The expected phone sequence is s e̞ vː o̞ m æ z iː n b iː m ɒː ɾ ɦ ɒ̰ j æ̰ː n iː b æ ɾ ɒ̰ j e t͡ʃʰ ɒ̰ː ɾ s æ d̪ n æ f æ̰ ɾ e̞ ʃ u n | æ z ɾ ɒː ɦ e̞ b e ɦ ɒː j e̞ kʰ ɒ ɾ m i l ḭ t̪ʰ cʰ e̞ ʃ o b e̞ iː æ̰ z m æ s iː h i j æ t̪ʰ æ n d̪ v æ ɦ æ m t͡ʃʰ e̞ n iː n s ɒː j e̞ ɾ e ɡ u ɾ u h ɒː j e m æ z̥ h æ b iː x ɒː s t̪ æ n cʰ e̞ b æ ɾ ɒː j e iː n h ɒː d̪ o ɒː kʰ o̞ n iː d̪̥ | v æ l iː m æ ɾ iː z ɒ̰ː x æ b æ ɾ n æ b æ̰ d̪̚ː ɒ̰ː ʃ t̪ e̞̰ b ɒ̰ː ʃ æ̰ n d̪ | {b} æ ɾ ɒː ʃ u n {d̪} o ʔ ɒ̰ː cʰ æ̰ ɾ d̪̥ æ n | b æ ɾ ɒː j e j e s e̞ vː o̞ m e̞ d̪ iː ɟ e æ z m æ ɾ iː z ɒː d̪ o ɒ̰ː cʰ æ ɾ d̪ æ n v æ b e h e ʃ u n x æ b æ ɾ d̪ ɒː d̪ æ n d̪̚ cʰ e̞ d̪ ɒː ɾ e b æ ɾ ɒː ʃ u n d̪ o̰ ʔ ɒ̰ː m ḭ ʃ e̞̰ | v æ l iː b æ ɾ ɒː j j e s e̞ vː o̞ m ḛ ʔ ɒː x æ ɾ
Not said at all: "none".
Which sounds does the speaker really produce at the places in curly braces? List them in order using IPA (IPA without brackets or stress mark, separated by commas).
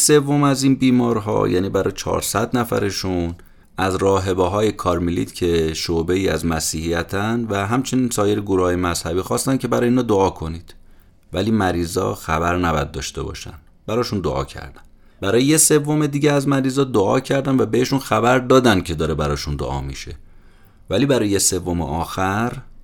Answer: b, d̪